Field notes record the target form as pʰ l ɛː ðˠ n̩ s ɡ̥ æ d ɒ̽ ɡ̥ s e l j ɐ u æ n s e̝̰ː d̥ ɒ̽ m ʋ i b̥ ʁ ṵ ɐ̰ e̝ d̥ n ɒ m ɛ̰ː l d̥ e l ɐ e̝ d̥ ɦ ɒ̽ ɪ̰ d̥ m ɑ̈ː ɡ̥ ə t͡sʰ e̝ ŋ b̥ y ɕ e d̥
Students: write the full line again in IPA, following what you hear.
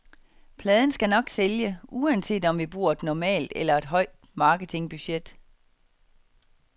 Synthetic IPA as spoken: pʰ l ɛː ðˠ n̩ s ɡ̥ æ n ɒ̽ ɡ̥ s e l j ə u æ n s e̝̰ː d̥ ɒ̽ m ʋ i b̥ ʁ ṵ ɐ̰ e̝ d̥ n ɒ m ɛ̰ː l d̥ e l ɐ e̝ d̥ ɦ ɒ̽ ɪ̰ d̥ m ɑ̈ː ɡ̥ ə t͡sʰ e̝ ŋ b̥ y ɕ e d̥